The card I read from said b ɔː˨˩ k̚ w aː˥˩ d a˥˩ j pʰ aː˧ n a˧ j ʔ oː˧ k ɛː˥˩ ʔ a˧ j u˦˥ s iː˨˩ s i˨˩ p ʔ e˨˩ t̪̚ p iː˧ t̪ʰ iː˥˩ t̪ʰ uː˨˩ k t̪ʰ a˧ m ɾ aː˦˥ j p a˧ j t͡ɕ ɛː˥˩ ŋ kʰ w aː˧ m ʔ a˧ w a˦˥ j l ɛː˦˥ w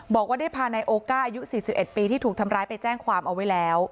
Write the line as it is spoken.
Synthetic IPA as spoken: b ɔː˨˩ k̚ w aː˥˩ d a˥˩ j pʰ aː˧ n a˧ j ʔ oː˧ k aː˥˩ ʔ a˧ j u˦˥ s iː˨˩ s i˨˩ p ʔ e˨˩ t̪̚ p iː˧ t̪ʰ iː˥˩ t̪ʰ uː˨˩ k t̪ʰ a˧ m ɾ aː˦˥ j p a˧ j t͡ɕ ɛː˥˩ ŋ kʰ w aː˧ m ʔ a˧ w a˦˥ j l ɛː˦˥ w